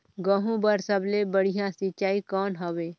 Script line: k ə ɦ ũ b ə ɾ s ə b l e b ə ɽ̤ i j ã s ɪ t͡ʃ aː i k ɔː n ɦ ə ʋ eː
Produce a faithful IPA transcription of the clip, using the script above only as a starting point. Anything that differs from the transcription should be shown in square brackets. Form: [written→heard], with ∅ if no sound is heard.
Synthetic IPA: [k→ɡ] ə ɦ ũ b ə ɾ s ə b l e b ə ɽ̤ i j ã s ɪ t͡ʃ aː i k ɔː n ɦ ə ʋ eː